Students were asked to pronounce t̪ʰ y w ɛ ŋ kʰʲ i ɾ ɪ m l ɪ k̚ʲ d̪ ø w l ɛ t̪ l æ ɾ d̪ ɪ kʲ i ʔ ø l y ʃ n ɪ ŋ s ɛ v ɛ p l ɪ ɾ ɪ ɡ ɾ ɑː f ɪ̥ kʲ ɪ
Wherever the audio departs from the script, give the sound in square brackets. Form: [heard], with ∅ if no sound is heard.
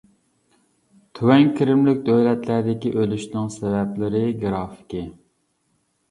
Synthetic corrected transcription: t̪ʰ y w ɛ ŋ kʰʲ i ɾ ɪ m l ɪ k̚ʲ d̪ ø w l ɛ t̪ l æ ɾ d̪ ɪ kʲ i ʔ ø l y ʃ n ɪ ŋ s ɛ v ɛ p l ɪ ɾ ɪ ɡ ɾ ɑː f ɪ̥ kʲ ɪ